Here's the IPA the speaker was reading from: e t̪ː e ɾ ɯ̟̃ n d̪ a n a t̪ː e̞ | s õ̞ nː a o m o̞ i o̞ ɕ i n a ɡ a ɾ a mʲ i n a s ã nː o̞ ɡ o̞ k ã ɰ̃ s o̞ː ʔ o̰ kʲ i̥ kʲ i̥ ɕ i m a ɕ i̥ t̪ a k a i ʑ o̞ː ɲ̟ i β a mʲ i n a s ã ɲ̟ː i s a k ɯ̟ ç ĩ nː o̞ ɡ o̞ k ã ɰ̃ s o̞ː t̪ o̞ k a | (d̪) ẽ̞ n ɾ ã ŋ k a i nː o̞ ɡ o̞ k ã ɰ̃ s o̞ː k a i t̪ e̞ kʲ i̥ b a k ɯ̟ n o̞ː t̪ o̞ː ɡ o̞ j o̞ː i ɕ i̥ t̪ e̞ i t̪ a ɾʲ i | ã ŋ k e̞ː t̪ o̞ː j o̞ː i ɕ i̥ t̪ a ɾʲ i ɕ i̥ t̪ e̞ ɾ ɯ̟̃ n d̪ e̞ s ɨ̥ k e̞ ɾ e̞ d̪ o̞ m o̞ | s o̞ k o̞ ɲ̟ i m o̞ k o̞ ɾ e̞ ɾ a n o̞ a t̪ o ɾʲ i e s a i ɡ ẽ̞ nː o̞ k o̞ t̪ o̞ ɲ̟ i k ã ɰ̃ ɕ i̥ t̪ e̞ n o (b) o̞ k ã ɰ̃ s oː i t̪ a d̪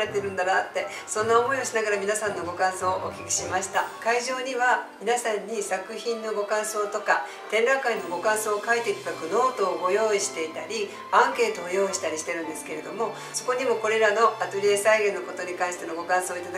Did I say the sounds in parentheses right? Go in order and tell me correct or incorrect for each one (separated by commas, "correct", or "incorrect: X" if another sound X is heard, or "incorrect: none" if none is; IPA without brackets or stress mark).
incorrect: t̪, incorrect: ɡ